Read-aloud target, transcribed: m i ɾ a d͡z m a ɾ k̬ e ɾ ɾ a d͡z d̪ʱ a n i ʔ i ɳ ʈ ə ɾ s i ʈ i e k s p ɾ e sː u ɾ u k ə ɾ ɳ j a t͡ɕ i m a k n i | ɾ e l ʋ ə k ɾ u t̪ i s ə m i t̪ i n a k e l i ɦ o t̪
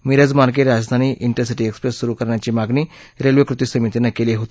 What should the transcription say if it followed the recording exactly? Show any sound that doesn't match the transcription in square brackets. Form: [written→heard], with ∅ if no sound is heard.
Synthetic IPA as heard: m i ɾ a d͡z m a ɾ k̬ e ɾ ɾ a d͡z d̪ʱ a n i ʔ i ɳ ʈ ə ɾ s i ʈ i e k s p ɾ e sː u ɾ u k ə ɾ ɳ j a t͡ɕ i m a [k→ɡ] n i | ɾ e l ʋ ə k ɾ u t̪ i s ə m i t̪ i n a k e l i ɦ o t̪